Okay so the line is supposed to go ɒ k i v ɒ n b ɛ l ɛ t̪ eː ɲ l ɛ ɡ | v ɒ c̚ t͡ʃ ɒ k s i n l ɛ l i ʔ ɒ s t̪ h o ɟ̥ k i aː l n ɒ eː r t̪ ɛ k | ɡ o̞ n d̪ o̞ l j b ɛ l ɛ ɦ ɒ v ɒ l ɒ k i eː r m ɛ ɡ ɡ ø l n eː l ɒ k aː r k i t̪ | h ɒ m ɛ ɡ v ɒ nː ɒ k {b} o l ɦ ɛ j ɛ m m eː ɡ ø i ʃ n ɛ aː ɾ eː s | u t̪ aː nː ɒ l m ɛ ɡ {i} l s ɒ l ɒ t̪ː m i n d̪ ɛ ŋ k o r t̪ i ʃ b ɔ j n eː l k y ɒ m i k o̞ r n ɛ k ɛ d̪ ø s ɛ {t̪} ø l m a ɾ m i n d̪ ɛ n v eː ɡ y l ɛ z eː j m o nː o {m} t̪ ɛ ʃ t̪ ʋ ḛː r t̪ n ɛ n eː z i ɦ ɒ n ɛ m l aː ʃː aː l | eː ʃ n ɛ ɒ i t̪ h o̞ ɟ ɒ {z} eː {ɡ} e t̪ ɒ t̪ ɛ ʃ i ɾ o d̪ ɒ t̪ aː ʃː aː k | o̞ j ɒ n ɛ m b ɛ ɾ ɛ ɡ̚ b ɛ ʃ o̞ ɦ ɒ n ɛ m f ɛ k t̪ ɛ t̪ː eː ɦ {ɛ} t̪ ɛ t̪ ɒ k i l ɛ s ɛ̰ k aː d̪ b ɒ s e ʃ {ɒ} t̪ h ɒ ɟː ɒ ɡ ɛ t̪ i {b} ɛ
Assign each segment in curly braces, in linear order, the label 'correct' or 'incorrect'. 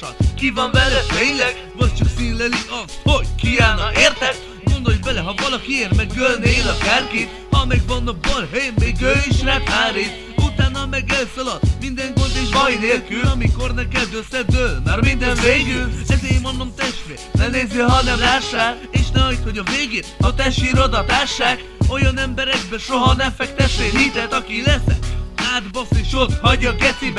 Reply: correct, incorrect: ɛ, incorrect: d̪, correct, incorrect: v, correct, incorrect: i, incorrect: o, correct

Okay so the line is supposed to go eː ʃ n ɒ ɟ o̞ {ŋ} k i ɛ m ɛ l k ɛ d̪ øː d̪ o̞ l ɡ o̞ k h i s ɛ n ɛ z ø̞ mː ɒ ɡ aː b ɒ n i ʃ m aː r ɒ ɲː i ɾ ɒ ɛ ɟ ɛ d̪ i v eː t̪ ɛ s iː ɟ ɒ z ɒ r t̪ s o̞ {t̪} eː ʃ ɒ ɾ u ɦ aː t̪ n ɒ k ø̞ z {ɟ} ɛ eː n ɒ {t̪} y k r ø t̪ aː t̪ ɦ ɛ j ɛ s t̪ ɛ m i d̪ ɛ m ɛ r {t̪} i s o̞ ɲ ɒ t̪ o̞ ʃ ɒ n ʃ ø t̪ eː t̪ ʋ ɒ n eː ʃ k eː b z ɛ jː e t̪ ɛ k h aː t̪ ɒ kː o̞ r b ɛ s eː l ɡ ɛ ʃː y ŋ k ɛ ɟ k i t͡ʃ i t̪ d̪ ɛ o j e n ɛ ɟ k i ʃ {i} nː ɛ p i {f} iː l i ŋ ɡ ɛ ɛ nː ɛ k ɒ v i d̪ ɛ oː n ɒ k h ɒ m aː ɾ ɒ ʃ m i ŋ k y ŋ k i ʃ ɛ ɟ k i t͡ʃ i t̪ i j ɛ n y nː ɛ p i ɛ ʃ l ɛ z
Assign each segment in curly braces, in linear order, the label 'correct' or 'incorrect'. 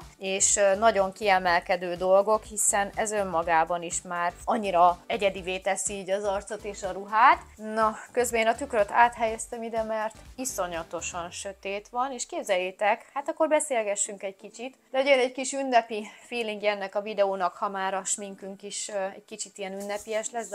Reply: correct, correct, incorrect: b, correct, correct, incorrect: y, correct

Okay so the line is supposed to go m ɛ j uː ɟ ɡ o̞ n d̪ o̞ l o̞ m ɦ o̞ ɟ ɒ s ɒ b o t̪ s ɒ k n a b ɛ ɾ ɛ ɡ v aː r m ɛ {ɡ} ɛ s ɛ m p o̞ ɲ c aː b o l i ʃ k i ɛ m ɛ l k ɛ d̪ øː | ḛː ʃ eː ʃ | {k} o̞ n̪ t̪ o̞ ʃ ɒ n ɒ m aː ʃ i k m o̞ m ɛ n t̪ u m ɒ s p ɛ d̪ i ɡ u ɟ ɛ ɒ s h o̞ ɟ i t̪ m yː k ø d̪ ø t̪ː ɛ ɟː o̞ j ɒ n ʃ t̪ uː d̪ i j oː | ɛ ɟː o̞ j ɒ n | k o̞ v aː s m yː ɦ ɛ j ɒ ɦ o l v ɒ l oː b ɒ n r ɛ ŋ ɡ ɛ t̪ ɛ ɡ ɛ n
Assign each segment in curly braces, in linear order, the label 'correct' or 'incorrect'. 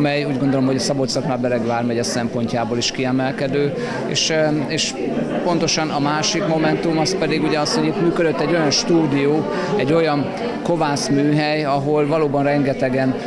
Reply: incorrect: ɟ, incorrect: p

